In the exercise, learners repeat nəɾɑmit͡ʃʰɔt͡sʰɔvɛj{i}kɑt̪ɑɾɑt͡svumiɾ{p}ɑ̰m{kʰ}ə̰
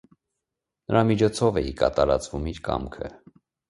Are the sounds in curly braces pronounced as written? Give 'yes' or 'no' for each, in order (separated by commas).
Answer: yes, no, yes